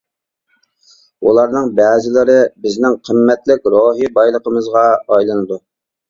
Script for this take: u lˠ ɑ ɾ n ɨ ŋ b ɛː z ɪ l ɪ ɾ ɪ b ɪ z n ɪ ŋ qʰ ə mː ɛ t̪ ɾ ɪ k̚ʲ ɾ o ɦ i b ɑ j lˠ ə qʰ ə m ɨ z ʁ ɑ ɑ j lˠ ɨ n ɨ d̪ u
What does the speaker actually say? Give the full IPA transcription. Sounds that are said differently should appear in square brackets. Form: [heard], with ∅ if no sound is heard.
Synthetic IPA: u lˠ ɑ ɾ n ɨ ŋ b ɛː z ɪ l ɪ ɾ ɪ b ɪ z n ɪ ŋ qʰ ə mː ɛ t̪ [l] ɪ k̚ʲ ɾ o ɦ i b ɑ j lˠ ə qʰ ə m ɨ z ʁ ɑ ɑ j lˠ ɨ n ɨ d̪ u